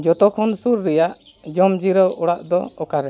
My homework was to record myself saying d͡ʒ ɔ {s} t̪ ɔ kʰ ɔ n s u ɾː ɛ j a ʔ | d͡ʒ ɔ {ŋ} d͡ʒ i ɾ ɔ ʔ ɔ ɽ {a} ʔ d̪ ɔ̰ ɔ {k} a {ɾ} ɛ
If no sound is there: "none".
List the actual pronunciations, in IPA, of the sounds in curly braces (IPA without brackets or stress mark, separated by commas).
none, m, a, k, ɾ